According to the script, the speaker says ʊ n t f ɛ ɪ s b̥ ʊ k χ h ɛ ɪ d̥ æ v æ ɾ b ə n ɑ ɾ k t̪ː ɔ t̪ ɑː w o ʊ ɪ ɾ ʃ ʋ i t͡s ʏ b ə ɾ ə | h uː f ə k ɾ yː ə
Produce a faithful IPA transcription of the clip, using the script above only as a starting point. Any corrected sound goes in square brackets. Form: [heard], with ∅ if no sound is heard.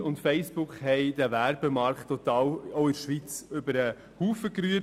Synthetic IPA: ʊ n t f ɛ ɪ s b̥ ʊ k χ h ɛ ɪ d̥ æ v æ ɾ b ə [m] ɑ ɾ k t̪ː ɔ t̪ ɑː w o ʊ ɪ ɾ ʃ ʋ i t͡s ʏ b ə ɾ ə | h uː f ə k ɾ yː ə